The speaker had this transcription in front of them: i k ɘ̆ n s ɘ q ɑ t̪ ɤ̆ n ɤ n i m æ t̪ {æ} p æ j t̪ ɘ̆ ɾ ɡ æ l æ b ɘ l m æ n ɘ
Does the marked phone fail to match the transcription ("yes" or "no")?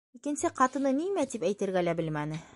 yes